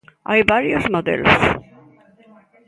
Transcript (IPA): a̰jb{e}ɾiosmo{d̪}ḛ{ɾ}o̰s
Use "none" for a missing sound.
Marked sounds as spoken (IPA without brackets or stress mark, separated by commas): a, d̪, l